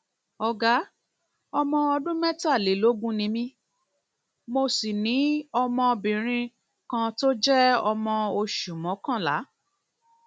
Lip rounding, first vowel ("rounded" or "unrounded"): rounded